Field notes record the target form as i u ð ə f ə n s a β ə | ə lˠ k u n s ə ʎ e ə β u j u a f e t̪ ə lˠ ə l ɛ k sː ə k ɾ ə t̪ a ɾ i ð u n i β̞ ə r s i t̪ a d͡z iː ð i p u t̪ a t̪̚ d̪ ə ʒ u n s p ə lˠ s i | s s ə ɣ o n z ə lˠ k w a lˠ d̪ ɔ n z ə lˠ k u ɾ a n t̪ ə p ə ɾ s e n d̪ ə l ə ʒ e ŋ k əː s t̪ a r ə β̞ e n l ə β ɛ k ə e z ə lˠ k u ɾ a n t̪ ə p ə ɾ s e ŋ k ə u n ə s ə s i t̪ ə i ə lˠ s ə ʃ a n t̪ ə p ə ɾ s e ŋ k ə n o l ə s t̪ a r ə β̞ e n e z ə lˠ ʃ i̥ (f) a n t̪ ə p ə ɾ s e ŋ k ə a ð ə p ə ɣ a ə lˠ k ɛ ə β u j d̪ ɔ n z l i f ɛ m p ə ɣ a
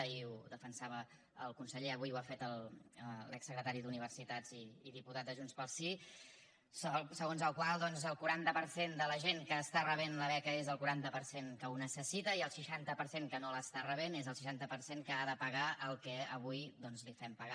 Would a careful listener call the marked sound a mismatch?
yes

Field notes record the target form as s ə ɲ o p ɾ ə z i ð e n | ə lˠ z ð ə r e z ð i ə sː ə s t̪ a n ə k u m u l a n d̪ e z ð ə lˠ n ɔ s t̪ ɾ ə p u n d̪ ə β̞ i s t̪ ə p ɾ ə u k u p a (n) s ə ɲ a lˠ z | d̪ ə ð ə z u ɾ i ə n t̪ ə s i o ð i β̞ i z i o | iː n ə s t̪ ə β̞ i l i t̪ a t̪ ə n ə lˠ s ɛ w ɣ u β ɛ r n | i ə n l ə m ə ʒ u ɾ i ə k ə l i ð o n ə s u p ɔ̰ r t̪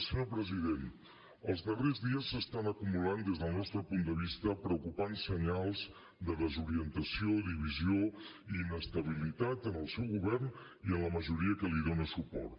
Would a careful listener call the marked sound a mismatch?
no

